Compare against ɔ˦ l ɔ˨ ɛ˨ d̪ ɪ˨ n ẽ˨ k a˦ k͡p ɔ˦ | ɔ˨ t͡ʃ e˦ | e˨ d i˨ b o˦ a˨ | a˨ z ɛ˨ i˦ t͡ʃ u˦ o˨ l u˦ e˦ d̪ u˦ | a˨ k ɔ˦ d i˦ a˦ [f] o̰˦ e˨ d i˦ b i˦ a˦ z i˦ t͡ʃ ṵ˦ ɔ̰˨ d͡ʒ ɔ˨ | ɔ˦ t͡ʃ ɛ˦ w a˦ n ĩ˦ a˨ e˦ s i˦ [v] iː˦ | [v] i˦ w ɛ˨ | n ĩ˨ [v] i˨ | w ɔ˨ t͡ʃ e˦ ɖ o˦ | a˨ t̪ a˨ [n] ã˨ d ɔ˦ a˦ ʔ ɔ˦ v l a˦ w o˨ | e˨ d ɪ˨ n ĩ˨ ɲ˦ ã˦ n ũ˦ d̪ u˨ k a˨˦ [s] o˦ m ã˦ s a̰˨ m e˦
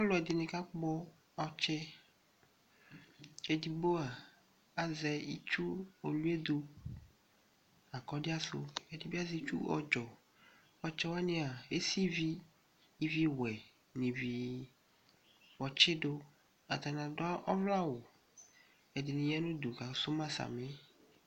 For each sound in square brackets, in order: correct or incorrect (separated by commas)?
incorrect, correct, correct, correct, correct, correct